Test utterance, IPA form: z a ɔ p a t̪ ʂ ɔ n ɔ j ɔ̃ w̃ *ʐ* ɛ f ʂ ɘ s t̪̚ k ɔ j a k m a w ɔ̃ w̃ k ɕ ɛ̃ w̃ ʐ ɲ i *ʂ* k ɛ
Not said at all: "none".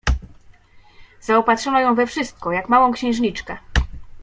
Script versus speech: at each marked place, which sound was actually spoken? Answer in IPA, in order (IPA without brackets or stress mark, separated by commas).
v, t͡ʂ